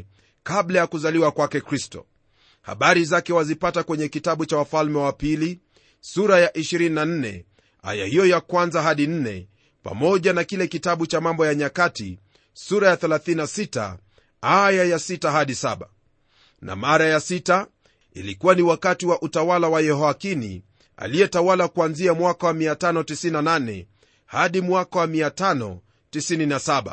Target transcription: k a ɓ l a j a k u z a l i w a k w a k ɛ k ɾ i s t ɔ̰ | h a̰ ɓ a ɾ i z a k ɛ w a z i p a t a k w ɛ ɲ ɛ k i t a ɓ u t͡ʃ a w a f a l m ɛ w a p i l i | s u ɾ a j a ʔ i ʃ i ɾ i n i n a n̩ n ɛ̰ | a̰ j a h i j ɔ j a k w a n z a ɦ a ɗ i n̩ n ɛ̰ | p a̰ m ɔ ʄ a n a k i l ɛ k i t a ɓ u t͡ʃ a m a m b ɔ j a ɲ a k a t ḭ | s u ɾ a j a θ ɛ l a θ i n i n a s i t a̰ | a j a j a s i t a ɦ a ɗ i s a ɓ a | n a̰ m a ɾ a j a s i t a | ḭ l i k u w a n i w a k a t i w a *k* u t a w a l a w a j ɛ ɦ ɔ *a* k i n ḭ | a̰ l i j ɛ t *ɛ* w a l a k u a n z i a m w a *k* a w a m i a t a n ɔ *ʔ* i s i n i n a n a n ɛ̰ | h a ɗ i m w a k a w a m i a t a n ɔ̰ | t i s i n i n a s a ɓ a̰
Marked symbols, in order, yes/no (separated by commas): no, yes, no, yes, no